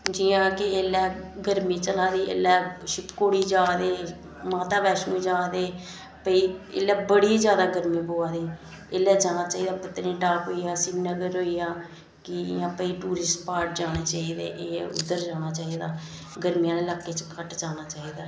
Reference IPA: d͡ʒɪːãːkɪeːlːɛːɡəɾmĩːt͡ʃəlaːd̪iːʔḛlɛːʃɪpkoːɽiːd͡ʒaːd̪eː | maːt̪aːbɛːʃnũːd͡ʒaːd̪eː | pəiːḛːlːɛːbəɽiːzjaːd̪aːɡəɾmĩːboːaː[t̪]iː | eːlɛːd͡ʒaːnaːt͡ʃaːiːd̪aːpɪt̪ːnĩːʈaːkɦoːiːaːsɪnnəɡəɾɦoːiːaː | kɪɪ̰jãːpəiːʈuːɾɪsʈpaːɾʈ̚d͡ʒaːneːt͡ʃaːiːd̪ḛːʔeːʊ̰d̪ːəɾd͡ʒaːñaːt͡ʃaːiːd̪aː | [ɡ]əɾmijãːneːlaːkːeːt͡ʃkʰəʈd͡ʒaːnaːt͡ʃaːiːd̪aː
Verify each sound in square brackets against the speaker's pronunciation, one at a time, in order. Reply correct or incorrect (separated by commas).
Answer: incorrect, correct